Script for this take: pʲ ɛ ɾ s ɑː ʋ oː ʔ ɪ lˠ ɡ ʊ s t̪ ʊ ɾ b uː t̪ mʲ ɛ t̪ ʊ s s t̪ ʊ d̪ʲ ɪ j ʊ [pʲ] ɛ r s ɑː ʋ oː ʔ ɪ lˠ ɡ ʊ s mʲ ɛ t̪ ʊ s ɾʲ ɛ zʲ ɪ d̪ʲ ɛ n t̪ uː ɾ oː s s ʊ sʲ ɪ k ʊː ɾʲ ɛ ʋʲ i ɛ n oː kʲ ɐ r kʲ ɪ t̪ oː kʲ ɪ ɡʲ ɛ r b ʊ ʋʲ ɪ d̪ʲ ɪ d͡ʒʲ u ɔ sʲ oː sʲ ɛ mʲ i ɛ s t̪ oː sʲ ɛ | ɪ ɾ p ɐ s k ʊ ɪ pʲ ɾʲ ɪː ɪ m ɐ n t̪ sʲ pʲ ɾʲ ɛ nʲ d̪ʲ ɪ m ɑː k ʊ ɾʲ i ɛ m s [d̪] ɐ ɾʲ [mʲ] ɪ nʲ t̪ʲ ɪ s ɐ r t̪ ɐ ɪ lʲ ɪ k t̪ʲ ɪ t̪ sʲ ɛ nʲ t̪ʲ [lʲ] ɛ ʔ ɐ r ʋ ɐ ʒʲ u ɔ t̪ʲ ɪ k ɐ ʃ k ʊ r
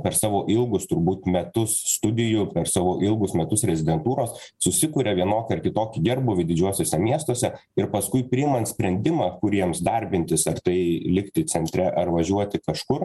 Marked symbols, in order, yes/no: yes, yes, no, no

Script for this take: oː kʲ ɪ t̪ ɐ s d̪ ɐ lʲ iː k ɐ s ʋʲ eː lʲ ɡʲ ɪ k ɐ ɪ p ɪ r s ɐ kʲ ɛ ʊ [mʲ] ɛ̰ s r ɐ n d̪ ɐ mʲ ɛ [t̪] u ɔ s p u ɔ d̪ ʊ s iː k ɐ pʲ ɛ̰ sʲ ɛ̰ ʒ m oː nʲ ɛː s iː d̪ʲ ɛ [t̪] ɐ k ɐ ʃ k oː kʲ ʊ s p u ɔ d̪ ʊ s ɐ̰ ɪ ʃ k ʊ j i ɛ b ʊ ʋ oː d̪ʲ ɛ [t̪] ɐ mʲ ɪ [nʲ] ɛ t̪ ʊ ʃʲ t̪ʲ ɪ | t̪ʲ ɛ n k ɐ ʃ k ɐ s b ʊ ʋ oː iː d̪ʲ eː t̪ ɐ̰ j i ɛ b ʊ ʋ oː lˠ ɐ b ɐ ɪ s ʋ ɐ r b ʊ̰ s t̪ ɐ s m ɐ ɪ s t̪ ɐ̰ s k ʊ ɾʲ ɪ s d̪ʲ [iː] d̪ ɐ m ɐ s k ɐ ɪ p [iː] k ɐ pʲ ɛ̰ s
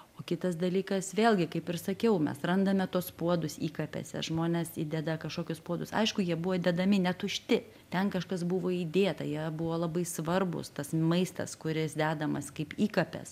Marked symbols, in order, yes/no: yes, yes, no, no, yes, no, yes

